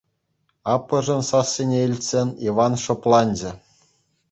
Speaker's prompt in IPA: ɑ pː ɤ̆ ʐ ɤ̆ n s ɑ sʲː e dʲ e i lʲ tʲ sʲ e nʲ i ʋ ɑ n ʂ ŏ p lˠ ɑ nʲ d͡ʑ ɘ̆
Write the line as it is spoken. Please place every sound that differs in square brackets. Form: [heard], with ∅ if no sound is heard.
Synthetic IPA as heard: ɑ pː ɤ̆ ʐ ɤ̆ n s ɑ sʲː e [nʲ] e i lʲ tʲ sʲ e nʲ i ʋ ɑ n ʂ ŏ p lˠ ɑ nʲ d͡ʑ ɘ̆